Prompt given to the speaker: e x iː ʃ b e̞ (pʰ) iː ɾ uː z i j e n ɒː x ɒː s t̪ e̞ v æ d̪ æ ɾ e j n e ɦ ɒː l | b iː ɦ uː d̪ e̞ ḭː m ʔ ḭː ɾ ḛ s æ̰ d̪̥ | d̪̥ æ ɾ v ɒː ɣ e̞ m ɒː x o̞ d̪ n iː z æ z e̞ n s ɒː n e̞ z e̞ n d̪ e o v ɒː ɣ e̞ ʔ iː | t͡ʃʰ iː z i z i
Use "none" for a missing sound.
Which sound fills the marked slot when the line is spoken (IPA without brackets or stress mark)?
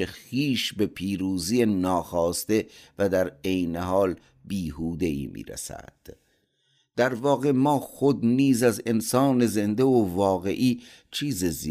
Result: pʰ